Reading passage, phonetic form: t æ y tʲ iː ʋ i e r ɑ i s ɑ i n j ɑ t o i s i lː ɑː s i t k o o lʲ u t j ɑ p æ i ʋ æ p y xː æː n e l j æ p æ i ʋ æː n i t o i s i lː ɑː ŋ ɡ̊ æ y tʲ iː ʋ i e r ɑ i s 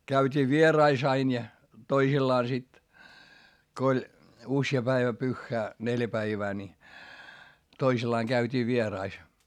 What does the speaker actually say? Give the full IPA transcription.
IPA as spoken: k æ y tʲ iː ʋ i e r ɑ i s ɑ i n j ɑ t o i s i lː ɑː s i t k o o lʲ u s j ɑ p æ i ʋ æ p y xː æː n e l j æ p æ i ʋ æː n i t o i s i lː ɑː ŋ ɡ̊ æ y tʲ iː ʋ i e r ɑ i s